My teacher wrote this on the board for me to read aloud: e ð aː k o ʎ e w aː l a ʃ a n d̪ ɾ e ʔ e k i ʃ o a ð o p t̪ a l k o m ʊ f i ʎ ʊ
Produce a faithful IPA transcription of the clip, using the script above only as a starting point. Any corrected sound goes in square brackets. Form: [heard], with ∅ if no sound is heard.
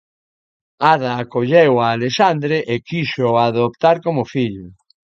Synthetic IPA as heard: [a] ð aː k o ʎ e w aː l [e] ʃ a n d̪ ɾ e ʔ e k i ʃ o a ð o p t̪ a [ɾ] k o m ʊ f i ʎ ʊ